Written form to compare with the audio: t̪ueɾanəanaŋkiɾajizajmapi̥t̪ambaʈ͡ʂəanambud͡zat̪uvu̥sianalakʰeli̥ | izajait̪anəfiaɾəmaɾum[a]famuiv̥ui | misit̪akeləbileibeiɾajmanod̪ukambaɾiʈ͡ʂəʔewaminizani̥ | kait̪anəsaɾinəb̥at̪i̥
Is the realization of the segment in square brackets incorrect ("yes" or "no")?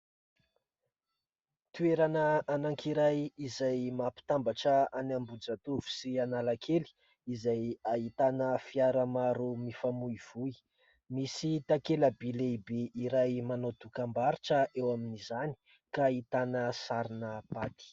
yes